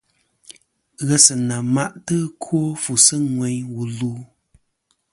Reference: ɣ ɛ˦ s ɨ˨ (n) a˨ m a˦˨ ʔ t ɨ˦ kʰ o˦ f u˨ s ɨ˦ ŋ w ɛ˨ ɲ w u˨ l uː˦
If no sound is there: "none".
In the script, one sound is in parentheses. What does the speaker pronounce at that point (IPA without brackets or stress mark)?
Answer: n